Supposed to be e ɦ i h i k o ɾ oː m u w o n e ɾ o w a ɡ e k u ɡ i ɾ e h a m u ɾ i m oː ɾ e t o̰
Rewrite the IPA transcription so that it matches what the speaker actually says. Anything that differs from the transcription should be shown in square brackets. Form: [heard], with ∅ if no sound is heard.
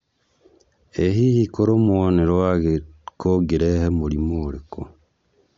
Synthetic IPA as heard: e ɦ i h i k o ɾ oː m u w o n e ɾ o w a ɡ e k [o] ɡ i ɾ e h [e] m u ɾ i m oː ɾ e [k] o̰